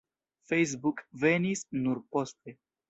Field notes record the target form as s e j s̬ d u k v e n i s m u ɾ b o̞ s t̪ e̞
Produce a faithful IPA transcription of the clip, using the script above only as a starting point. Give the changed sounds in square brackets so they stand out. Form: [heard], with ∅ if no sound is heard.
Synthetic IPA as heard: [f] e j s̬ [b] u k v e n i s [n] u ɾ [p] o̞ s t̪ e̞